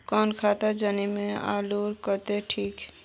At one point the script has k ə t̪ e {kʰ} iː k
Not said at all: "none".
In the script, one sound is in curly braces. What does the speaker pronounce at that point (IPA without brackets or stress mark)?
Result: ʈʰ